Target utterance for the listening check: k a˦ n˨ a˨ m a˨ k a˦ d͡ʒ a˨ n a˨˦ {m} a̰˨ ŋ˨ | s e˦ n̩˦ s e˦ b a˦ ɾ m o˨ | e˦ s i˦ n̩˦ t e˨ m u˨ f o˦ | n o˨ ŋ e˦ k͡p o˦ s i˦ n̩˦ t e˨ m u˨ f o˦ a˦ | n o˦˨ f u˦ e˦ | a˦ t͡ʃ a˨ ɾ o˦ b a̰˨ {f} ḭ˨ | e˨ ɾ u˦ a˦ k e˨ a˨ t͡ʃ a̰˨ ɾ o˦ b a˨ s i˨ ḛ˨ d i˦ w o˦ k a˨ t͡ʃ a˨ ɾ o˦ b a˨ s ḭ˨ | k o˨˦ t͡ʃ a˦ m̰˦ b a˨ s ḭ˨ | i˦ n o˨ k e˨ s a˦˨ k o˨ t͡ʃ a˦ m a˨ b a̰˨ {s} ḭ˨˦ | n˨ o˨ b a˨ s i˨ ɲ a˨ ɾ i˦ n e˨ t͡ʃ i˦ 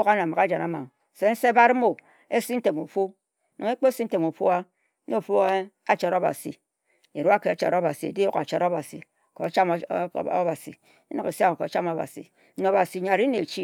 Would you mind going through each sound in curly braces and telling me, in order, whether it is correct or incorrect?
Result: correct, incorrect: s, correct

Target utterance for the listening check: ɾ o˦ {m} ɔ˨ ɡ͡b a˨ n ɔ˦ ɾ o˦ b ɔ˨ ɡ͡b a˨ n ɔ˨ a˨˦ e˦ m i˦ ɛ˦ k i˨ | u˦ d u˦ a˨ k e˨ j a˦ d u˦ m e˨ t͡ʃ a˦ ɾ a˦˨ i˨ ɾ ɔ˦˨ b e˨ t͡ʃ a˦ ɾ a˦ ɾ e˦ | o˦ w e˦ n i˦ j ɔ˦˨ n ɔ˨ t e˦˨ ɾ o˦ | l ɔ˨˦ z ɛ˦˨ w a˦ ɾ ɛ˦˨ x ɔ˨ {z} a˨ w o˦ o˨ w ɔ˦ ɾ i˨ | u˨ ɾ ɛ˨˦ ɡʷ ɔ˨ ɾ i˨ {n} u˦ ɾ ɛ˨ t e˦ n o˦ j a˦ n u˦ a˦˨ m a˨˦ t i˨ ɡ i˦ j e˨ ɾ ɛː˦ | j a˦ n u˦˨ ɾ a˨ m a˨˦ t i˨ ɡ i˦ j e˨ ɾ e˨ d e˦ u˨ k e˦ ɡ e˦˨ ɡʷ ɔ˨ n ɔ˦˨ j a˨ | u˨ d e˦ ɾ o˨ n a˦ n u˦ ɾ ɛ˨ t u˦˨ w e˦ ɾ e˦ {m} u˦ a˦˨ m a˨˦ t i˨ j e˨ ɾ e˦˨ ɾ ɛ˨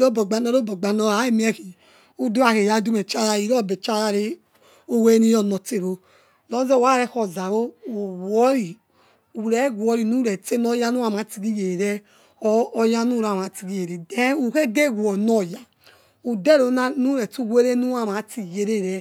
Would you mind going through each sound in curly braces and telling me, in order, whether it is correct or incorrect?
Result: incorrect: b, correct, correct, incorrect: n

